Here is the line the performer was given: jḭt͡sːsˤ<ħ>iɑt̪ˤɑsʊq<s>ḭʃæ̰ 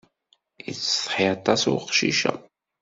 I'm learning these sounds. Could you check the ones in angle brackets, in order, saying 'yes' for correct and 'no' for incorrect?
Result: yes, no

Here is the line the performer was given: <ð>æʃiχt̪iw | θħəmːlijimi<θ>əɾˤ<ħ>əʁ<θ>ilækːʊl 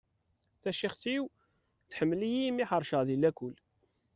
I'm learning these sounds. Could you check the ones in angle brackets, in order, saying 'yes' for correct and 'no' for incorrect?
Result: no, no, no, no

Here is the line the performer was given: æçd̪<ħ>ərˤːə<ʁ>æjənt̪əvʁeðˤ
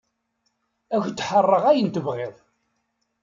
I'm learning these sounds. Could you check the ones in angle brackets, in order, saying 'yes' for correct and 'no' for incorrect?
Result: yes, yes

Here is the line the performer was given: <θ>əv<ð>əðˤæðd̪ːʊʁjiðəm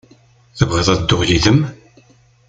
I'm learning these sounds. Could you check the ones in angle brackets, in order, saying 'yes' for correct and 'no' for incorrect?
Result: yes, no

